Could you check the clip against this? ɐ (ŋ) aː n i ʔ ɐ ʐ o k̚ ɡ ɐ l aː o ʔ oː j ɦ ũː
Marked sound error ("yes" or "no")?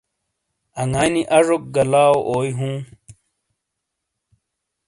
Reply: no